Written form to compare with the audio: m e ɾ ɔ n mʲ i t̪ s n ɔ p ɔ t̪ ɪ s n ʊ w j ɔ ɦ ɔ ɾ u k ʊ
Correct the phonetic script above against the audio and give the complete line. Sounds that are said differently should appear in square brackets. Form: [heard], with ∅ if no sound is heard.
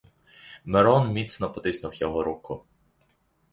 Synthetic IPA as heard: m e ɾ ɔ n mʲ i t̪ s n ɔ p ɔ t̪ ɪ s n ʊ w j ɔ ɦ ɔ ɾ u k ʊ